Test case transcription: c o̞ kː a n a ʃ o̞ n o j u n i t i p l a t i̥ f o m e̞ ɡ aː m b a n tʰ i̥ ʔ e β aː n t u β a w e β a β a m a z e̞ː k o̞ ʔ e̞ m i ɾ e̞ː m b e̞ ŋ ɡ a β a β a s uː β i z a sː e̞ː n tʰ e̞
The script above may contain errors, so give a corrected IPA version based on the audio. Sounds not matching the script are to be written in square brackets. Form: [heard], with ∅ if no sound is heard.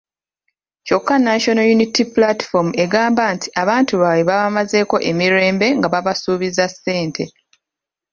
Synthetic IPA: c o̞ kː a n a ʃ o̞ n o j u n i t i p l a t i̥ f o m e̞ ɡ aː m b a n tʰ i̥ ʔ [a] β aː n t u β a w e β a β a m a z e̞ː k o̞ ʔ e̞ m i ɾ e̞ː m b e̞ ŋ ɡ a β a β a s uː β i z a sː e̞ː n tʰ e̞